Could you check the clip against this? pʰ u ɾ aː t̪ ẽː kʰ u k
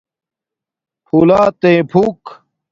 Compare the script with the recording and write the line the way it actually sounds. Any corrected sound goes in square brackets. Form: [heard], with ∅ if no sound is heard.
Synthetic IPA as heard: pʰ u [l] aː t̪ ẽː [pʰ] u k

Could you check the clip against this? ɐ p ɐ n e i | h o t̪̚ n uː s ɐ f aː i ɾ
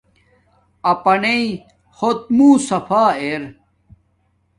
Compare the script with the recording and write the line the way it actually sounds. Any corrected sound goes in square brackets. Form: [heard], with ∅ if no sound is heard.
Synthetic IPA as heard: ɐ p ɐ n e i | h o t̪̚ [m] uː s ɐ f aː [e] ɾ

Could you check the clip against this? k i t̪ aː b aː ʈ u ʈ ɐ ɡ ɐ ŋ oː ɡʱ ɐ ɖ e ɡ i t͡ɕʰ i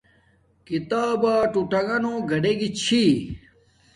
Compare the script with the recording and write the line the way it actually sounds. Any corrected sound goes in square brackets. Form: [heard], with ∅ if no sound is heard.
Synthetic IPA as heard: k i t̪ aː b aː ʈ u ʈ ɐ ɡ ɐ [n] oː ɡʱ ɐ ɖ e ɡ i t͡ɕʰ i

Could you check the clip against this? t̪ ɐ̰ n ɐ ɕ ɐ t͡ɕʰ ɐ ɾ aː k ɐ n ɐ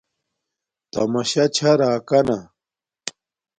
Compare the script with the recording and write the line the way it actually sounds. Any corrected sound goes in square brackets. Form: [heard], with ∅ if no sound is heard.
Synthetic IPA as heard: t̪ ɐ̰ [m] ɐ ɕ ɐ t͡ɕʰ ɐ ɾ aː k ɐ n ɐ

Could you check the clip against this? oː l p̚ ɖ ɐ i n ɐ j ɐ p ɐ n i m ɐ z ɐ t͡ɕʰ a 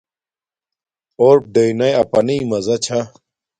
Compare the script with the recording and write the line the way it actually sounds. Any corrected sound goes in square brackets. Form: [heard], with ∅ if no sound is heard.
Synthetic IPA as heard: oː [ɾ] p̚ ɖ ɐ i n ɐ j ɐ p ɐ n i m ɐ z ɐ t͡ɕʰ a

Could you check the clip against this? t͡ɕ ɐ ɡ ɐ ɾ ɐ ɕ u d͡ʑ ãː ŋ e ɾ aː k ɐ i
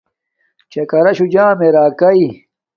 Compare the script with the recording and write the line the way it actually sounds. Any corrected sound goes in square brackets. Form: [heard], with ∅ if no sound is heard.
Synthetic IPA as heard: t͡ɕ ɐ [k] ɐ ɾ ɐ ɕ u d͡ʑ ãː [m] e ɾ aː k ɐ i

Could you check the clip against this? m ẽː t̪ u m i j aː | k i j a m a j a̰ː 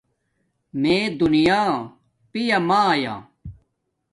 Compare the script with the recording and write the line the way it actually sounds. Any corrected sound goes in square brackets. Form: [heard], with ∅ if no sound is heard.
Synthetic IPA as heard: m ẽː [d̪] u [n] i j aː | [p] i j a m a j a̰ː

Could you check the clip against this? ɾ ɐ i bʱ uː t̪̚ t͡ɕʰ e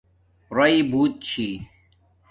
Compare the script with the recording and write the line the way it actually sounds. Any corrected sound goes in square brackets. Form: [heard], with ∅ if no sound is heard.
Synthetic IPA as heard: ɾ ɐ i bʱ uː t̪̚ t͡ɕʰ [i]

